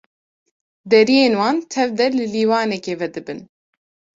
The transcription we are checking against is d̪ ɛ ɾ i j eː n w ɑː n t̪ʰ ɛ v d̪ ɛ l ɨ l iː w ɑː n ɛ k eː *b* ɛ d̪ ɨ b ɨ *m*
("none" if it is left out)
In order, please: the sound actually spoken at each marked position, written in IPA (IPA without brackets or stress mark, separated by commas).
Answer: v, n